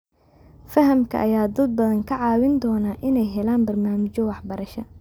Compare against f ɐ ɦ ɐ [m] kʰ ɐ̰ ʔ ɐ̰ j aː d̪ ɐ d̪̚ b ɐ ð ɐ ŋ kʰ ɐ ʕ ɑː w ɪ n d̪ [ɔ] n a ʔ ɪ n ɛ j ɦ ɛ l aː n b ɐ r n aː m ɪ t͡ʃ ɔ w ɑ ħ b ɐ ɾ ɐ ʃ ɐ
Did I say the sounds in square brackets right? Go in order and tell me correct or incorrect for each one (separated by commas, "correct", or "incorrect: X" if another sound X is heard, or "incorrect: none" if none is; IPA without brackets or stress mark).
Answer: correct, incorrect: ɔː